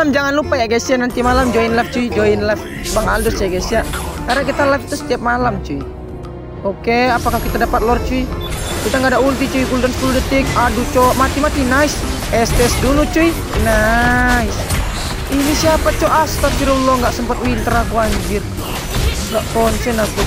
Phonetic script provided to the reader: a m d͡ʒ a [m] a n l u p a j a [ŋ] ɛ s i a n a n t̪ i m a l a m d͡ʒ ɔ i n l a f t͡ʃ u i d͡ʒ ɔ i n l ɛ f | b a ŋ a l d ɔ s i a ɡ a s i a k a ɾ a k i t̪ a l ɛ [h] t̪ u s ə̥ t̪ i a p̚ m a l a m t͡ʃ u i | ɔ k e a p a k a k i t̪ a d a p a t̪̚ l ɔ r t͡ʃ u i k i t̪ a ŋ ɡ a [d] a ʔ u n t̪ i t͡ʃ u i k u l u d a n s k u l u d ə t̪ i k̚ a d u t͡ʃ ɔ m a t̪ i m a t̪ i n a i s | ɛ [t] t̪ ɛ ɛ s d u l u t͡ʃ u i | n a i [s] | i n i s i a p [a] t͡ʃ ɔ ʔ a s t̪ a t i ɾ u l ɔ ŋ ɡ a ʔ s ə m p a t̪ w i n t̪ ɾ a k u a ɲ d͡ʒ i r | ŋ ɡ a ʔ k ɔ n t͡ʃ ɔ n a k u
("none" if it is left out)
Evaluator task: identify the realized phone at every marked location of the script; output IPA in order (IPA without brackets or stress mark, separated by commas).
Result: ŋ, ɡ, f, d, s, s, a